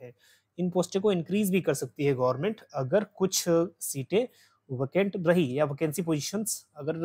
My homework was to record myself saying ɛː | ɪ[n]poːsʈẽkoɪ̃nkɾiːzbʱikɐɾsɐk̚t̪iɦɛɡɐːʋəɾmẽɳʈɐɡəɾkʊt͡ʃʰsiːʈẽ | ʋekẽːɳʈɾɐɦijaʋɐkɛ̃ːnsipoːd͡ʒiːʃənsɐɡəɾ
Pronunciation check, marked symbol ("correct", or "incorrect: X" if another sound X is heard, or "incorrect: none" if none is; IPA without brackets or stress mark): correct